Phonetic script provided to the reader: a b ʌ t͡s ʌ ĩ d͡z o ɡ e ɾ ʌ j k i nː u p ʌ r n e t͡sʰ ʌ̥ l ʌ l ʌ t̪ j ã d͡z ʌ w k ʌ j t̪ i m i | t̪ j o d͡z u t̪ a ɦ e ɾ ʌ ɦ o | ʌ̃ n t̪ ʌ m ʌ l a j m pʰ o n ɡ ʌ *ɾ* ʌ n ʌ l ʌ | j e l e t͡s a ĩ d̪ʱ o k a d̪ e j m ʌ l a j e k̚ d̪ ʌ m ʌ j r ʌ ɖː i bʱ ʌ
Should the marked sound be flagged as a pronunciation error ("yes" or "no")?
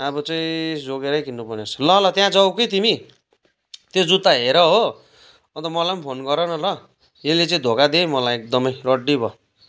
no